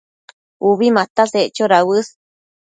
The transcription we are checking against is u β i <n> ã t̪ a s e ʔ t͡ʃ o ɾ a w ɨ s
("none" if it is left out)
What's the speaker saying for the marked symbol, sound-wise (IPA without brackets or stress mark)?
m